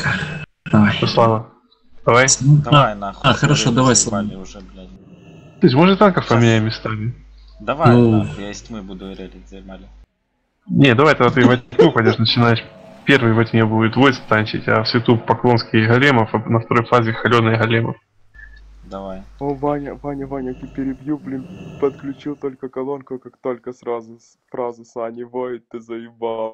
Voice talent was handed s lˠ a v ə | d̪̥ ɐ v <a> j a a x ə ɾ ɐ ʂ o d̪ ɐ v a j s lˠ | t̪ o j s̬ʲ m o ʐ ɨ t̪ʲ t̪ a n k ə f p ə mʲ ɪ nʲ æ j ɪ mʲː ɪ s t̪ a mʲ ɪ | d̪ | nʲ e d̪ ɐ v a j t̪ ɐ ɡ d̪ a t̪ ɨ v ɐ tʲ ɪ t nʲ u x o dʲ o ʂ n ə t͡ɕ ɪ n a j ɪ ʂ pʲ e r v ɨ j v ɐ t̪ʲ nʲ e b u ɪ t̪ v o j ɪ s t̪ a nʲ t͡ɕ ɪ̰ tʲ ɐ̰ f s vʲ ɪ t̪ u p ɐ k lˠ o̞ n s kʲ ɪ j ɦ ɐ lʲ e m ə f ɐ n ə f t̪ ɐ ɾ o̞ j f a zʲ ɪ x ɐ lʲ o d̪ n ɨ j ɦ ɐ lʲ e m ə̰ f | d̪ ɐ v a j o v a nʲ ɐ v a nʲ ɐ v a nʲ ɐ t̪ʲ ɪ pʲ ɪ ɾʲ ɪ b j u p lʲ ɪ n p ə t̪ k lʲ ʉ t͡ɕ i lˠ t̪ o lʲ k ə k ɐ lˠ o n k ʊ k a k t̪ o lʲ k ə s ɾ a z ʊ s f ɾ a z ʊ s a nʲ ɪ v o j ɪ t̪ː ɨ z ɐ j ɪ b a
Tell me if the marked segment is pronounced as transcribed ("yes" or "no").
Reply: yes